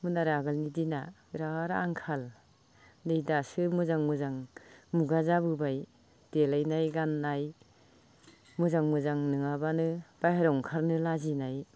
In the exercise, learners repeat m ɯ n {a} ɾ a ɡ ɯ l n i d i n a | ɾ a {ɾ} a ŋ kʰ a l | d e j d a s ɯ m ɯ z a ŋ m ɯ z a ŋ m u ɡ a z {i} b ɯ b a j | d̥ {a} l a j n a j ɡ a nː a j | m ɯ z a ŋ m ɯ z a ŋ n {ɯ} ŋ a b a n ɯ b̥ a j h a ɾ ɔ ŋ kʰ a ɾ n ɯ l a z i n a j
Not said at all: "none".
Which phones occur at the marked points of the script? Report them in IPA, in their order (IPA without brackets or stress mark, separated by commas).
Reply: a, ɾ, a, e, ɯ